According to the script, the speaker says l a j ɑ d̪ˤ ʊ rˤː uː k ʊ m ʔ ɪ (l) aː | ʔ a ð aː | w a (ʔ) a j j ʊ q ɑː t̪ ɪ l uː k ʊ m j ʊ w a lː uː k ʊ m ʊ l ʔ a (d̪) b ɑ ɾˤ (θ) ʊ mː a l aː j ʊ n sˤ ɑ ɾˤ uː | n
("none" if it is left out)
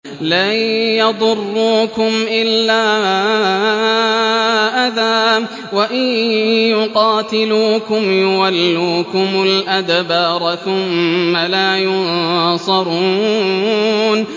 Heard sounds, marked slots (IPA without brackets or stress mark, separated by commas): lː, ʔ, d̪, θ